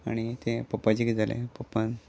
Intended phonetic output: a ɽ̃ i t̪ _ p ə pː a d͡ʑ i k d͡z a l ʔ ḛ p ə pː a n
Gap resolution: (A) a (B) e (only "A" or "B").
B